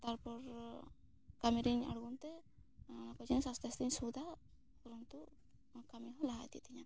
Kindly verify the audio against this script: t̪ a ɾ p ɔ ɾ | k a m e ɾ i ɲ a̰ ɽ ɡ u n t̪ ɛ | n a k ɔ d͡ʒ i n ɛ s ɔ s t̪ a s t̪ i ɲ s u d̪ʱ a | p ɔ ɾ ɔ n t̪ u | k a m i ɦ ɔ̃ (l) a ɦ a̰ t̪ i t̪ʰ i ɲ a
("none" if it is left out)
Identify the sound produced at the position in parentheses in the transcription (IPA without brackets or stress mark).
l